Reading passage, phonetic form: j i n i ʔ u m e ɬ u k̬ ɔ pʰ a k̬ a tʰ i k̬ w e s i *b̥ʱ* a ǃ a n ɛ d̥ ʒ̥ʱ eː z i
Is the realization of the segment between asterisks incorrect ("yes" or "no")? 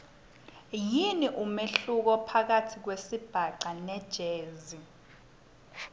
no